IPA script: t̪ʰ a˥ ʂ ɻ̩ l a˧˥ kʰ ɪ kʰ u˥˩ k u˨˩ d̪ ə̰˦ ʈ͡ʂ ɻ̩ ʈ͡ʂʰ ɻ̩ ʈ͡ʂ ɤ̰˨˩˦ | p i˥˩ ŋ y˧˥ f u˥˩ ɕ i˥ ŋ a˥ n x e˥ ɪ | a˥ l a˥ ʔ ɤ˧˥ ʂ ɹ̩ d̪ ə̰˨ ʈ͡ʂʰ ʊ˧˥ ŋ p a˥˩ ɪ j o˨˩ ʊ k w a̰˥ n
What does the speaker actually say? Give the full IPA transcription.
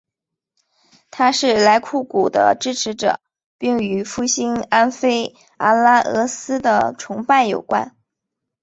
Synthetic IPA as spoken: t̪ʰ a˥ ʂ ɻ̩ l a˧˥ ɪ kʰ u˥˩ k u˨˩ d̪ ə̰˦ ʈ͡ʂ ɻ̩ ʈ͡ʂʰ ɻ̩ ʈ͡ʂ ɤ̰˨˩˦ | p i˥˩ ŋ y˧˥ f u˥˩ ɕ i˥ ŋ a˥ n f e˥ ɪ | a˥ l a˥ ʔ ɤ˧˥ s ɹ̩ d̪ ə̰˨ ʈ͡ʂʰ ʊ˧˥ ŋ p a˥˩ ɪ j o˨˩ ʊ k w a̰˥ n

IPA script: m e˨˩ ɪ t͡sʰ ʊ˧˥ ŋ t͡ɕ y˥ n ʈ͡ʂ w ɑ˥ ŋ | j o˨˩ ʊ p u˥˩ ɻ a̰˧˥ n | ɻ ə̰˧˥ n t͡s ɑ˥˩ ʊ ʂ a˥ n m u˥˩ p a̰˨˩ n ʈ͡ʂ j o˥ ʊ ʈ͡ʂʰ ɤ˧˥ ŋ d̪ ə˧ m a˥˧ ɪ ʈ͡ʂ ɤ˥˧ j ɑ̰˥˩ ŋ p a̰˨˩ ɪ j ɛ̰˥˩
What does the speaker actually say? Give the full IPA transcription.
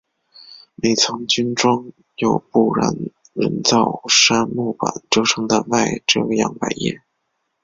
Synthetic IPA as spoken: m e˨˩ ɪ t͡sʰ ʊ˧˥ ŋ t͡ɕ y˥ n ʈ͡ʂ w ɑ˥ ŋ | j o˨˩ ʊ p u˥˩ ɻ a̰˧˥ n | ɻ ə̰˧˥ n t͡s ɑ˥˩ ʊ ʂ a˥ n m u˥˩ p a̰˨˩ n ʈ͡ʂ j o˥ ʊ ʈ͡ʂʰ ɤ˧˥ ŋ d̪ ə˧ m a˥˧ ɪ ʈ͡ʂ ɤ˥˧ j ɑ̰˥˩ ŋ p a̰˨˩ ɪ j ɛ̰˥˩

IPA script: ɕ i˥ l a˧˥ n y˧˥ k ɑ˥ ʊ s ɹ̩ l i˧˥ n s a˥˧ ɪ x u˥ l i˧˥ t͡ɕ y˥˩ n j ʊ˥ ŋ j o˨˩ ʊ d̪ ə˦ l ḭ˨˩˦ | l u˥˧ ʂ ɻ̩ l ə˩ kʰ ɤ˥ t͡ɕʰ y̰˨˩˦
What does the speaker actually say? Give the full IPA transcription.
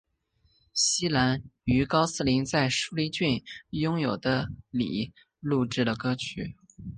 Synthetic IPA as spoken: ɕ i˥ l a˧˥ n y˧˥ k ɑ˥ ʊ s ɹ̩ l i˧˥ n t͡s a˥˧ ɪ ʂ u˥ l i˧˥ t͡ɕ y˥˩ n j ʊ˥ ŋ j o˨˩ ʊ d̪ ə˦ l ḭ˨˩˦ | l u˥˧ ʈ͡ʂ ɻ̩ l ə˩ k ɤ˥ t͡ɕʰ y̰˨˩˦

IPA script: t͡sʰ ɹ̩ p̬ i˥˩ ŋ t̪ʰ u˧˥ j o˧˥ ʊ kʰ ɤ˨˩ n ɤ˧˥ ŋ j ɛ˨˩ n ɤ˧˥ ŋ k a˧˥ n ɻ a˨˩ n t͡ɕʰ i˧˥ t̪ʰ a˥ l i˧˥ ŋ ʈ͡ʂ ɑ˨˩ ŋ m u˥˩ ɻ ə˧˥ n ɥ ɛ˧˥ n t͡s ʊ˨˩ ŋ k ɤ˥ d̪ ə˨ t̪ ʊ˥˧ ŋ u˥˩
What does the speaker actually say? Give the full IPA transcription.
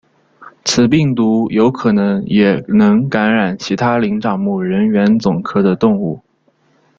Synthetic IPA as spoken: t͡sʰ ɹ̩ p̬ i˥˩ ŋ t̪ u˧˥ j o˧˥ ʊ kʰ ɤ˨˩ n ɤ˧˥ ŋ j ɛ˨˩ n ɤ˧˥ ŋ k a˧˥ n ɻ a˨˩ n t͡ɕʰ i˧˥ t̪ʰ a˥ l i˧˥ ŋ ʈ͡ʂ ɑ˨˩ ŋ m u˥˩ ɻ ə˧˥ n ɥ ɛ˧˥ n t͡s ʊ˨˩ ŋ kʰ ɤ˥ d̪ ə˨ t̪ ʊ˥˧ ŋ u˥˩

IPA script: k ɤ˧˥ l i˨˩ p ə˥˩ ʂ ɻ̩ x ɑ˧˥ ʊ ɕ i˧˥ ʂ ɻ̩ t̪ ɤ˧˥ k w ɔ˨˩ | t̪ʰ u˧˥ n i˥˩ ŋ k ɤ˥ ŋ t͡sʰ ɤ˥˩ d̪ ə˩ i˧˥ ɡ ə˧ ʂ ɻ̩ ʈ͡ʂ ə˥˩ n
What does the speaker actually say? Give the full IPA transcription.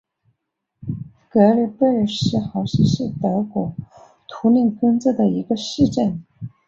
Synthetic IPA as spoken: k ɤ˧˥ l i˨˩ p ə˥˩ ʂ ɻ̩ x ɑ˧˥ ʊ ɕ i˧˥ ʂ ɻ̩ t̪ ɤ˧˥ k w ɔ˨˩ | t̪ʰ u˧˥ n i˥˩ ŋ k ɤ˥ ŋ t͡s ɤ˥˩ d̪ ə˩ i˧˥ ɡ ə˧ ʂ ɻ̩ ʈ͡ʂ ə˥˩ n

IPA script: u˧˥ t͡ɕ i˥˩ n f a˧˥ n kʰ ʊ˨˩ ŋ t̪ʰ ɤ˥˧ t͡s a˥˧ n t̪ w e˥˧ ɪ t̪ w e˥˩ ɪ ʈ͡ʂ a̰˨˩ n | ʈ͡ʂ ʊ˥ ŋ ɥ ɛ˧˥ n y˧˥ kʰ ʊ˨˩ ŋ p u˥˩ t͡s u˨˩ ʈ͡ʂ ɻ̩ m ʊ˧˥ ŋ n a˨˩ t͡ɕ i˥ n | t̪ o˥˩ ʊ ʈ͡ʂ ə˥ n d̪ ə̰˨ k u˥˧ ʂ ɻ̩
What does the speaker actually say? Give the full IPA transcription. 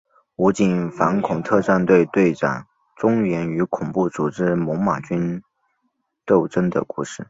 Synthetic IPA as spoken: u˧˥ t͡ɕ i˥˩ n f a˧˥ n kʰ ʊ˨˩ ŋ t̪ʰ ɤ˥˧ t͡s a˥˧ n t̪ w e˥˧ ɪ t̪ w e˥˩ ɪ ʈ͡ʂ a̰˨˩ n | ʈ͡ʂ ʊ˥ ŋ ɥ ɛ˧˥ n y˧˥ kʰ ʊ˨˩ ŋ p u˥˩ t͡s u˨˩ ʈ͡ʂ ɻ̩ m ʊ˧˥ ŋ m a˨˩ t͡ɕ y˥ n | t̪ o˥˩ ʊ ʈ͡ʂ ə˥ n d̪ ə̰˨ k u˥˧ ʂ ɻ̩

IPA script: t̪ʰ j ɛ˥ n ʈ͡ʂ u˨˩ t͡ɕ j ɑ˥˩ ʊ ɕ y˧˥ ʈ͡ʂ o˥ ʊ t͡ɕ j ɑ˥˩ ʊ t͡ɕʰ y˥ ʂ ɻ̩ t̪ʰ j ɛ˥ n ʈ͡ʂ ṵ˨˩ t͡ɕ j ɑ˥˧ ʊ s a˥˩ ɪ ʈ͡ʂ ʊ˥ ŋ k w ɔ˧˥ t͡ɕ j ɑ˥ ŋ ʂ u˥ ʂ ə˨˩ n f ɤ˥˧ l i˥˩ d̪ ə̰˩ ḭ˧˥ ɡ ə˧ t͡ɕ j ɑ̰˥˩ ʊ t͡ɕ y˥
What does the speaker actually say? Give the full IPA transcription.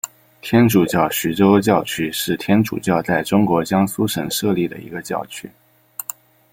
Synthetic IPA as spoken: t̪ʰ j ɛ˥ n ʈ͡ʂ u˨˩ t͡ɕ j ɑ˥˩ ʊ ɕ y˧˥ ʈ͡ʂ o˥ ʊ t͡ɕ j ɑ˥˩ ʊ t͡ɕʰ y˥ ʂ ɻ̩ t̪ʰ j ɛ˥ n ʈ͡ʂ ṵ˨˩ t͡ɕ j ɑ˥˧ ʊ t͡s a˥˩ ɪ ʈ͡ʂ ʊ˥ ŋ k w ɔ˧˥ t͡ɕ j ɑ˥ ŋ s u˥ ʂ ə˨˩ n ʂ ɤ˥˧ l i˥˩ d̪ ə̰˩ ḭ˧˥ ɡ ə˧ t͡ɕ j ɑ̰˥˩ ʊ t͡ɕʰ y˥

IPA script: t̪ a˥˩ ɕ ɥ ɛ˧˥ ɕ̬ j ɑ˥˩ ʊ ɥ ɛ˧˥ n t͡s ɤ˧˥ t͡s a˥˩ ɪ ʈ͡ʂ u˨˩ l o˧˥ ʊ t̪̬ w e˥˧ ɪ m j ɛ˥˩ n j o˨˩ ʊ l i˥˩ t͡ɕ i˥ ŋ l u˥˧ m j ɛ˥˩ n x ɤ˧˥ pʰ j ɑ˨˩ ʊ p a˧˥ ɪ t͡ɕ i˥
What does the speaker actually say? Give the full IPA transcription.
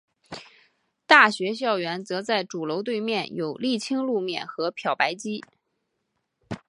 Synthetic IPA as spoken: t̪ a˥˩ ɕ ɥ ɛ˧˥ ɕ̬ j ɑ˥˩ ʊ ɥ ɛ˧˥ n t͡s ɤ˧˥ t͡s a˥˩ ɪ ʈ͡ʂ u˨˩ l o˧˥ ʊ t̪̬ w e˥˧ ɪ m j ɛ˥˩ n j o˨˩ ʊ l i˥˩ t͡ɕʰ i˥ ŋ l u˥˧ m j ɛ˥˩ n x ɤ˧˥ pʰ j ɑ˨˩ ʊ p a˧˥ ɪ t͡ɕ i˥

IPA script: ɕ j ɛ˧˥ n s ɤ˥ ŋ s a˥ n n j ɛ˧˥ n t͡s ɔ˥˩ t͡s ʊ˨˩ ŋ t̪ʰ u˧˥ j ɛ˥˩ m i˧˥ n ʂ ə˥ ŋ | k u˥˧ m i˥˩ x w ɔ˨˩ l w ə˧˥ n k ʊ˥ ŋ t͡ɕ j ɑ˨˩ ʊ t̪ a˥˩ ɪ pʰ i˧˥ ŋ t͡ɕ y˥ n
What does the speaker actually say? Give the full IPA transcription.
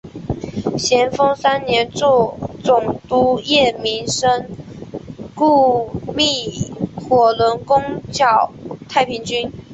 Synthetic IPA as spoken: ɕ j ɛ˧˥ n f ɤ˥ ŋ s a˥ n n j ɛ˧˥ n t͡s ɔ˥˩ t͡s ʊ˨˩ ŋ t̪ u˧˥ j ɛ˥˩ m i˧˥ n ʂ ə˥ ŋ | k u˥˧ m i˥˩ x w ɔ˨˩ l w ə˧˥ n k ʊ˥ ŋ t͡ɕ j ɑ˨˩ ʊ t̪ʰ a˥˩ ɪ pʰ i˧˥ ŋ t͡ɕ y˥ n

